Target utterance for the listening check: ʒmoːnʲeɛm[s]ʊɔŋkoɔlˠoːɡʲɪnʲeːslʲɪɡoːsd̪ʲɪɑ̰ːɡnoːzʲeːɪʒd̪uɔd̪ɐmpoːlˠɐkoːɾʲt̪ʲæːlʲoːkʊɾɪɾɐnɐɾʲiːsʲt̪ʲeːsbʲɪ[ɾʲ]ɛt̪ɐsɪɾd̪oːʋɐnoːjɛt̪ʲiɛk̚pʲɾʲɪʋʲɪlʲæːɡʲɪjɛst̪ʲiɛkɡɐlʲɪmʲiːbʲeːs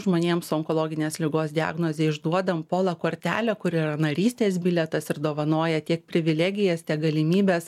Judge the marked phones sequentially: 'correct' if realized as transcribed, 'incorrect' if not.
correct, incorrect: lʲ

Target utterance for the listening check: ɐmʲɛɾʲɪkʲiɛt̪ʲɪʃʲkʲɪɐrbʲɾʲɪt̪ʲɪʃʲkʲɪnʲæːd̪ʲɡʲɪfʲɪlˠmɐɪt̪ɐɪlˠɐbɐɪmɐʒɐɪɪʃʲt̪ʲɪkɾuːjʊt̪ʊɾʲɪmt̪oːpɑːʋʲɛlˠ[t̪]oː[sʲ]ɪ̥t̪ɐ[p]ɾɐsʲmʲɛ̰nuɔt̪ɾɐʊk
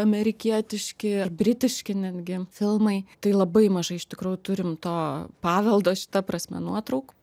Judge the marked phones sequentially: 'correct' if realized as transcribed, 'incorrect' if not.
incorrect: d̪, incorrect: ʃʲ, correct

